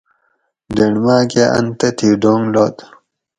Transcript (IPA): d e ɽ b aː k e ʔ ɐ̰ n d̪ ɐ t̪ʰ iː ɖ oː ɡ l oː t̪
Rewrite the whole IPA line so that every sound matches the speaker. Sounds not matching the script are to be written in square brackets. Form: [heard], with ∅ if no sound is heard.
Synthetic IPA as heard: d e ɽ [m] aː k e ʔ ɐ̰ n [t̪] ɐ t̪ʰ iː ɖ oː [ŋ] l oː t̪